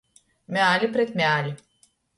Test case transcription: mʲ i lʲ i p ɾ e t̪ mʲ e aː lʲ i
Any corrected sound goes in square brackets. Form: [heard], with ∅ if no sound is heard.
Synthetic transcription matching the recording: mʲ [a] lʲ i p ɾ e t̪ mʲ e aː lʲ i